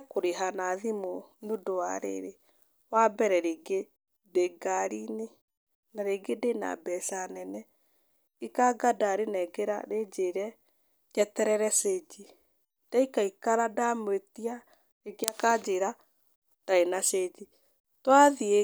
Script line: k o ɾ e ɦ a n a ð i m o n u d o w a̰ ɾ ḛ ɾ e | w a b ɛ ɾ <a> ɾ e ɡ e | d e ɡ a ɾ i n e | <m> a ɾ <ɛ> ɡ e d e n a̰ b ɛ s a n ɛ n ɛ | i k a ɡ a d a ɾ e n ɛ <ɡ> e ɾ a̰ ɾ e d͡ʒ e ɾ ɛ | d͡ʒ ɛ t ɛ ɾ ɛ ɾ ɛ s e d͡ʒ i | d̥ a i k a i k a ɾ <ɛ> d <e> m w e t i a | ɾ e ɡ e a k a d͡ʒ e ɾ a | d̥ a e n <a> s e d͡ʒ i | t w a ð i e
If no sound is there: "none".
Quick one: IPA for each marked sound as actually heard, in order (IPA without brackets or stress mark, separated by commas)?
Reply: ɛ, n, e, ɡ, a, a, a